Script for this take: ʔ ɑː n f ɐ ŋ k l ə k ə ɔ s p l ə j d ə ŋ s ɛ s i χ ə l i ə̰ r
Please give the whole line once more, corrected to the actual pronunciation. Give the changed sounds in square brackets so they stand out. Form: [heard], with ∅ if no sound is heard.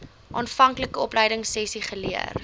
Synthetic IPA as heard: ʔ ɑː n f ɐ ŋ k l ə k ə ɔ [∅] p l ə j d ə ŋ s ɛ s i χ ə l i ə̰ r

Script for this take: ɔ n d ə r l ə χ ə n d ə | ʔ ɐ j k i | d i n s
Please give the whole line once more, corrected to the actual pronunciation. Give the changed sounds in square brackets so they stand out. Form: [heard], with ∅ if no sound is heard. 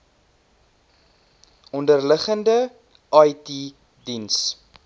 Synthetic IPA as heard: ɔ n d ə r l ə χ ə n d ə | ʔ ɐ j [t] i | d i n s

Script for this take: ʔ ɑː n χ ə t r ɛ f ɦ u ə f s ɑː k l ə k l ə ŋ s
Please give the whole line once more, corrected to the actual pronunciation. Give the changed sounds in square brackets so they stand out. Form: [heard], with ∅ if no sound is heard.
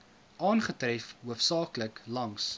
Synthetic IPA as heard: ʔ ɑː n χ ə t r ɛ f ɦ u ə f s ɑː k l ə k l [ɐ] ŋ s

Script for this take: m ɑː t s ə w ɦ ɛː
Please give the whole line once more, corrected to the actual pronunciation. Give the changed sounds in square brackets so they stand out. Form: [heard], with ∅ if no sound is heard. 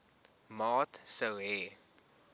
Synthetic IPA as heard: m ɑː t s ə w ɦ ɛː

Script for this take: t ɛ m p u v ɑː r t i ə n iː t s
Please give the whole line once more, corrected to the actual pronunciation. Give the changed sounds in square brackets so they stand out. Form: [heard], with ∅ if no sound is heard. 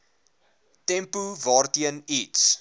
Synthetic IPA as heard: t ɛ m p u v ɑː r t i ə n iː t s

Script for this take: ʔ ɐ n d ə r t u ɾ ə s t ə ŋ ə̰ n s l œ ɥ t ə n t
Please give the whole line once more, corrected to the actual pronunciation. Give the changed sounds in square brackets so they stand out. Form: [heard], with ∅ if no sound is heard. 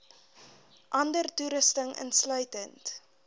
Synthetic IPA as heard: ʔ ɐ n d ə r t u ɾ ə s t ə ŋ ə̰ n s l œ ɥ t ə n t

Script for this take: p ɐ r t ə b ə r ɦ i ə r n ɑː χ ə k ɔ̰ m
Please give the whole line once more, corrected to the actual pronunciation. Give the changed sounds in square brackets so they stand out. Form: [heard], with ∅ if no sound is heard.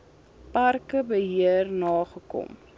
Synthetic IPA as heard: p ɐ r [k] ə b ə [∅] ɦ i ə r n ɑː χ ə k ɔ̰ m

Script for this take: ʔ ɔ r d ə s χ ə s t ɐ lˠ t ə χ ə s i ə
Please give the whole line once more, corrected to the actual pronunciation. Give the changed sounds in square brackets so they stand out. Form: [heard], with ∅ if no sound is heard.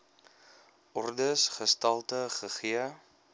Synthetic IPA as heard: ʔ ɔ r d ə s χ ə s t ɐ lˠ t ə χ ə [χ] i ə

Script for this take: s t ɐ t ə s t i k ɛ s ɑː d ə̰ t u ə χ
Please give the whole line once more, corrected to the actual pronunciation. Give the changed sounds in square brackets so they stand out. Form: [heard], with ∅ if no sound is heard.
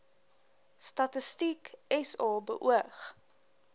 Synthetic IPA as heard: s t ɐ t ə s t i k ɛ s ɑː [b] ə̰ [ʔ] u ə χ

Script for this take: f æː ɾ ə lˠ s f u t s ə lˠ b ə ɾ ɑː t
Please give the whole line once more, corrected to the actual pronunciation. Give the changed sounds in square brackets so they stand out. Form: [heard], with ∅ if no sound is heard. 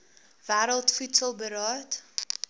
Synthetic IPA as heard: [v] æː ɾ ə lˠ [t] f u t s ə lˠ b ə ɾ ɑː t

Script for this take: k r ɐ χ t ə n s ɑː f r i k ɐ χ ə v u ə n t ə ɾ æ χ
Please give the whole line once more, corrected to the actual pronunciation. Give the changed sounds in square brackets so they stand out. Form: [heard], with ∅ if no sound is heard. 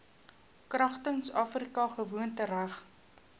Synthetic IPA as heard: k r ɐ χ t ə [ŋ] s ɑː f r i k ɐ χ ə v u ə n t ə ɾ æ χ

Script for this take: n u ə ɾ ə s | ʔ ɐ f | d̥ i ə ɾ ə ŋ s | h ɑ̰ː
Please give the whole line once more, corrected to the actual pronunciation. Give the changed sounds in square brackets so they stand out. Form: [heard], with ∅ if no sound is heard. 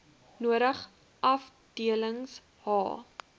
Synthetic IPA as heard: n u ə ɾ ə [χ] | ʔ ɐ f | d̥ i ə [l] ə ŋ s | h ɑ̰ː

